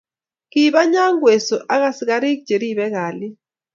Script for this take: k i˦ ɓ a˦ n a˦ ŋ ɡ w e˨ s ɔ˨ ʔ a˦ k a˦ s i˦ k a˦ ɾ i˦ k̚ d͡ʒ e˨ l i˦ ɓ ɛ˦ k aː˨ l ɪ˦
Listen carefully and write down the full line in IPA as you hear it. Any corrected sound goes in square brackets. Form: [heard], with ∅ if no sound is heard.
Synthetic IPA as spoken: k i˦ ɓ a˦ [ɲ] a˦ ŋ ɡ w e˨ s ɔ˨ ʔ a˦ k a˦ s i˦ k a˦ ɾ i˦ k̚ d͡ʒ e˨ [ɾ] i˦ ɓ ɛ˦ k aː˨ l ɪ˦